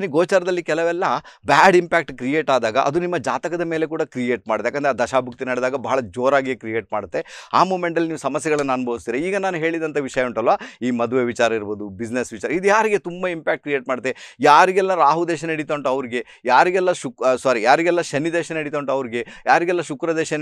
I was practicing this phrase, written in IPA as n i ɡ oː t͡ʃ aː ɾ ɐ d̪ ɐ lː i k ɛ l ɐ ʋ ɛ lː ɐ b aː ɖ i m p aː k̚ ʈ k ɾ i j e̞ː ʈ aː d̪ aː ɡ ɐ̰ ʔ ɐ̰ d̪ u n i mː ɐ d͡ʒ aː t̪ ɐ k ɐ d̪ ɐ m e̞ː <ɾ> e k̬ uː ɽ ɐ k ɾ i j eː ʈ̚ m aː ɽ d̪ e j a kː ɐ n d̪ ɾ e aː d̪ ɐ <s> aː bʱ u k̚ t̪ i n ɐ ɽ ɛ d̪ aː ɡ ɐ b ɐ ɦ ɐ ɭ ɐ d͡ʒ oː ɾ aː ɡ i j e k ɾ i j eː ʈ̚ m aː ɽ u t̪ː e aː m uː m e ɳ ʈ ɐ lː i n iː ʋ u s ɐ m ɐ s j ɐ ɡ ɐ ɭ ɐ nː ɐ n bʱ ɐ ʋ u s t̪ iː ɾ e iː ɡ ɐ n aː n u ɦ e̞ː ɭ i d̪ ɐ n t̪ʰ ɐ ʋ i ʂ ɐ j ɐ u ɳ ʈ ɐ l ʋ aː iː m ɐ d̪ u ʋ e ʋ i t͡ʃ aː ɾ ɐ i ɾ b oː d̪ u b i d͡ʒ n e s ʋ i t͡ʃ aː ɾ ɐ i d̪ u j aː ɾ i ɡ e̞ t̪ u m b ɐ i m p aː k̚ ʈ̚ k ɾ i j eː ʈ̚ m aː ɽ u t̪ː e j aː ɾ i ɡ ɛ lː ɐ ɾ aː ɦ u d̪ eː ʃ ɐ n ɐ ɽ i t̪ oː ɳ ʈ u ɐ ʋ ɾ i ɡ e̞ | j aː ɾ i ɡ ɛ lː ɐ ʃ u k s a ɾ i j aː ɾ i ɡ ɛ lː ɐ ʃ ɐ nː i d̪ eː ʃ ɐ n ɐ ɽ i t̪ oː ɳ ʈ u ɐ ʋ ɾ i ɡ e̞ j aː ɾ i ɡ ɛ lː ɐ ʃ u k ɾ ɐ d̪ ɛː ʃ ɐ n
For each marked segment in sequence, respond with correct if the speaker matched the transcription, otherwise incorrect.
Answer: incorrect: l, incorrect: ʃ

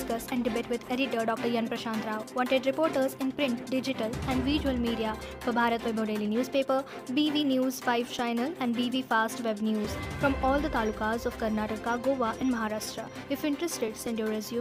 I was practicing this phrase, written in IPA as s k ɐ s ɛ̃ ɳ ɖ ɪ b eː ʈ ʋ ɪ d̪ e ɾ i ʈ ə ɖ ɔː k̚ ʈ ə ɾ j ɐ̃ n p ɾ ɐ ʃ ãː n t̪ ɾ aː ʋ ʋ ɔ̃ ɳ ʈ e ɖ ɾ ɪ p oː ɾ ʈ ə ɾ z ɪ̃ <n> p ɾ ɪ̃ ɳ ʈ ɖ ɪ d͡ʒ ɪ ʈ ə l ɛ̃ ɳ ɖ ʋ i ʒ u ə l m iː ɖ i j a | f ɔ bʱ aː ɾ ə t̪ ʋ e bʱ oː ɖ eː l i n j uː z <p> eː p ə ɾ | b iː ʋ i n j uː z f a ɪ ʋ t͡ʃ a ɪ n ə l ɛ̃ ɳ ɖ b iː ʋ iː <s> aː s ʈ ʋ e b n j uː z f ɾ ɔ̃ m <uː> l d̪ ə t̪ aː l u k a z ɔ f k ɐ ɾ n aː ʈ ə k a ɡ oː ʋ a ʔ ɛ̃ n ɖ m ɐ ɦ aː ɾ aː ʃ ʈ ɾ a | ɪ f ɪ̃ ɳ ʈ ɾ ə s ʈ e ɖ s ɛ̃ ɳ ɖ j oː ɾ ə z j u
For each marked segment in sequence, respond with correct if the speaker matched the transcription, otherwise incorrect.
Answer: correct, correct, incorrect: f, incorrect: ɔː

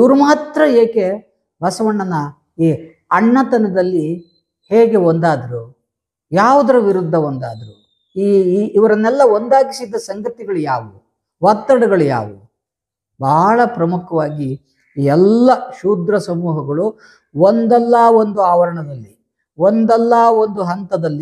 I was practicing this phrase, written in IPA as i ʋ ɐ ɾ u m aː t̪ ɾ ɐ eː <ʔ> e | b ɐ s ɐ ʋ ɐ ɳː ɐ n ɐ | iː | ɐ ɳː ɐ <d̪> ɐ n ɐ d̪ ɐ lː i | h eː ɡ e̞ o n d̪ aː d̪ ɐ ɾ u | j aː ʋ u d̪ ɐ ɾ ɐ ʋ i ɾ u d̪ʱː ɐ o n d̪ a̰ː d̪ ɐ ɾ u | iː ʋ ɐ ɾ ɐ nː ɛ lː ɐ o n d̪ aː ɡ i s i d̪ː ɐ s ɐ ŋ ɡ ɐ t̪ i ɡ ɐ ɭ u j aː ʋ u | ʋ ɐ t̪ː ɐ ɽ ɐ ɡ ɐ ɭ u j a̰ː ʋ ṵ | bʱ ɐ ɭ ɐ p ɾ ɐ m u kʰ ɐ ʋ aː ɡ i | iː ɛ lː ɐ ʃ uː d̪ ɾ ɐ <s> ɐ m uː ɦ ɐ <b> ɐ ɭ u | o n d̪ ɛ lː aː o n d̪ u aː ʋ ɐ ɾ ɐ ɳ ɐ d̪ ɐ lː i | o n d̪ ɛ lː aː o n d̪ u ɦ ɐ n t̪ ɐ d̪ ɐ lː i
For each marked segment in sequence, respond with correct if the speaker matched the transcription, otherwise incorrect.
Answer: incorrect: k, incorrect: t̪, correct, incorrect: ɡ

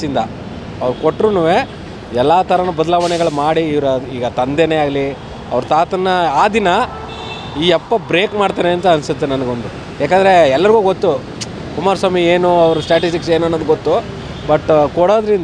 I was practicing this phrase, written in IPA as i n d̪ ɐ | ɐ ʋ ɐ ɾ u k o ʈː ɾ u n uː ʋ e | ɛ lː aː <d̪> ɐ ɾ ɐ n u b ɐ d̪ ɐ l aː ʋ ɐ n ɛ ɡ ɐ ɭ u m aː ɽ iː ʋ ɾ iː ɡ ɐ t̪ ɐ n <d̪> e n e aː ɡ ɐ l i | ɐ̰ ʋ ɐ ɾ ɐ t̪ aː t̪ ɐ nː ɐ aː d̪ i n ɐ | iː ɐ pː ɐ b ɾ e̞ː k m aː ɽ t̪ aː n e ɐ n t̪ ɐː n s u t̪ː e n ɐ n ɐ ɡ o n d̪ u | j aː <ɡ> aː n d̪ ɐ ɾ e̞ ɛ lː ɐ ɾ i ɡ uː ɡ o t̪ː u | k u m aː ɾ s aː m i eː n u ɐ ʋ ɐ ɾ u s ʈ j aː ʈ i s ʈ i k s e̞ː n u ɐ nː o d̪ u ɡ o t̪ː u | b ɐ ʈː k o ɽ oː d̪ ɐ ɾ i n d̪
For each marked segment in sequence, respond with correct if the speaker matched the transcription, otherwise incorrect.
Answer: incorrect: t̪, correct, incorrect: k

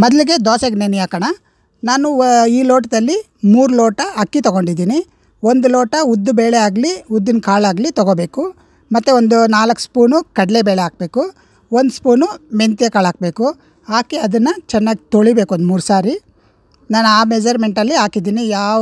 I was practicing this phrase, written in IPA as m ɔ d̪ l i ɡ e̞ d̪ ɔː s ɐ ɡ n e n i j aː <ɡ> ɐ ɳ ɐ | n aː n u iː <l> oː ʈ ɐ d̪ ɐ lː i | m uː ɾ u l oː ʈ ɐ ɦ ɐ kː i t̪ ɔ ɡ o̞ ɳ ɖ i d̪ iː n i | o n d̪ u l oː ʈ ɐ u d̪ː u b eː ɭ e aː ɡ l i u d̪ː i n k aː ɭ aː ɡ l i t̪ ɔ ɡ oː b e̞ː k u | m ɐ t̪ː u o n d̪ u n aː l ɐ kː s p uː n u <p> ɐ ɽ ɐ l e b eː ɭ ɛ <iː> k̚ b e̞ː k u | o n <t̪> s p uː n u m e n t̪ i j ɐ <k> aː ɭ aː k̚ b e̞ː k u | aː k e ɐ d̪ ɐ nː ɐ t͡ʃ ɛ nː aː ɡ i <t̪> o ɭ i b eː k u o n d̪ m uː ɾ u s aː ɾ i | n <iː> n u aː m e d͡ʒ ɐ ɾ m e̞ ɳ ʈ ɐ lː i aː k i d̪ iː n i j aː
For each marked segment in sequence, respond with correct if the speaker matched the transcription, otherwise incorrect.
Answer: incorrect: k, correct, incorrect: k, incorrect: aː, incorrect: d̪, correct, correct, incorrect: aː

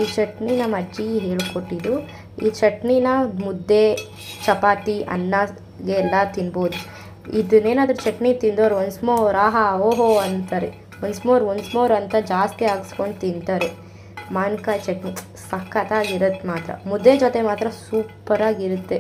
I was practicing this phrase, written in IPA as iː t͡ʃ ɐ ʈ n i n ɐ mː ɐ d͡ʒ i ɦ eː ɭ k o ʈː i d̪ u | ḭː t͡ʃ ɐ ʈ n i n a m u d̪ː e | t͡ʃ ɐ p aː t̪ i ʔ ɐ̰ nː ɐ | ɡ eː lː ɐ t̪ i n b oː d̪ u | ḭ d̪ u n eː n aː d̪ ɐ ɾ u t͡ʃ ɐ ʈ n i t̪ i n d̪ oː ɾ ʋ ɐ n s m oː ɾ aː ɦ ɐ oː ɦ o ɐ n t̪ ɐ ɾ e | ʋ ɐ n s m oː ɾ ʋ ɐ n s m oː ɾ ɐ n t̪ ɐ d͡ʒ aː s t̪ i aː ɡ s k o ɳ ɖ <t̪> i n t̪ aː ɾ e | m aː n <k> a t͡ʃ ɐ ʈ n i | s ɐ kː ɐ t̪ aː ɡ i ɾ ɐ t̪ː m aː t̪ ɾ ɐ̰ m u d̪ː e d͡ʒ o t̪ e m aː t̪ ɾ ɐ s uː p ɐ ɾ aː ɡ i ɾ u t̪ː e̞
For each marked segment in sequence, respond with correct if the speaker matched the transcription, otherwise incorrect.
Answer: correct, correct

